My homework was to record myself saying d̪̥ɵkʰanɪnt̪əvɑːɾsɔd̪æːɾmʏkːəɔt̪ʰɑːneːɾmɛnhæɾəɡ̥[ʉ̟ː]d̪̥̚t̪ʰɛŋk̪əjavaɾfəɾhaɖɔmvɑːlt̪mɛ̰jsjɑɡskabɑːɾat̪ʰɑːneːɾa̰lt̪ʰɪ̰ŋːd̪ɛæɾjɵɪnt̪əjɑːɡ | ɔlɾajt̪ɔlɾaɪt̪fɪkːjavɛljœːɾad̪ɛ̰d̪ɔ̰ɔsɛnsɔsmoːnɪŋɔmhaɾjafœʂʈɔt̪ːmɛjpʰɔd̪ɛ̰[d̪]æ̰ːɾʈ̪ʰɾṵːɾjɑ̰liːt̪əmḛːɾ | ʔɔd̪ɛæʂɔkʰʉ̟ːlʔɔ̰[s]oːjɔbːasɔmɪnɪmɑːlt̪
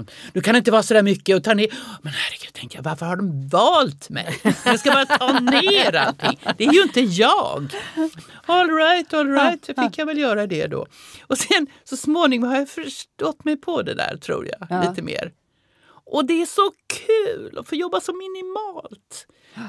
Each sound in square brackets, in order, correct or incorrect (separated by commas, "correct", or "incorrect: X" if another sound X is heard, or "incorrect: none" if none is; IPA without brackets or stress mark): incorrect: ʉ̟, correct, incorrect: f